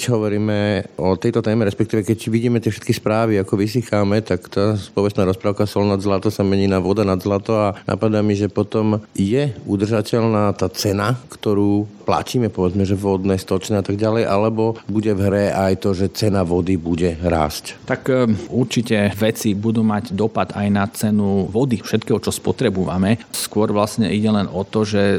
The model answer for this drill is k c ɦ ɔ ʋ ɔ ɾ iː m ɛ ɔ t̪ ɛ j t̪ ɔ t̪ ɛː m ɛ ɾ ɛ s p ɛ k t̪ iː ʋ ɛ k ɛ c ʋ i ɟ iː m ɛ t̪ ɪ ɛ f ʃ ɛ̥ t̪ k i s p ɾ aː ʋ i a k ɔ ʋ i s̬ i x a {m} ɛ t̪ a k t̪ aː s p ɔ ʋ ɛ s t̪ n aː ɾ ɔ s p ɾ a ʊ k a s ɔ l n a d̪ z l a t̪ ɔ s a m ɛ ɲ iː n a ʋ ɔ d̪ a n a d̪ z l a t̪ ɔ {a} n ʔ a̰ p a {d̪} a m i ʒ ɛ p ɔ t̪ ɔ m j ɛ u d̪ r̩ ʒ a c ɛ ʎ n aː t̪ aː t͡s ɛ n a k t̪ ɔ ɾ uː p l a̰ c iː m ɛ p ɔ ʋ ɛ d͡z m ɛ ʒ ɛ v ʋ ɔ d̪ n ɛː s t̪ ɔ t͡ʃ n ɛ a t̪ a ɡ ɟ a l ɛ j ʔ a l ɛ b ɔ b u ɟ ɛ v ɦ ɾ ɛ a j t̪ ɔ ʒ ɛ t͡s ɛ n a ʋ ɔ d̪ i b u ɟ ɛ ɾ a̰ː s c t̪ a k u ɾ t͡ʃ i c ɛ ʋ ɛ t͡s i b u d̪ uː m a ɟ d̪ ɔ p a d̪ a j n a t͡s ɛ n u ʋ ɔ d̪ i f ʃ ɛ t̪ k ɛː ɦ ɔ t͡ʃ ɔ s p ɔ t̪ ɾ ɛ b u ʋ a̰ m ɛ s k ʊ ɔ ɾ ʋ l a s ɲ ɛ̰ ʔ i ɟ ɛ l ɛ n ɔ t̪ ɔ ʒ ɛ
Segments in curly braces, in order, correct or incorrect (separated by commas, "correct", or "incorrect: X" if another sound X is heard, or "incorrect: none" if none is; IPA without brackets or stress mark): correct, correct, correct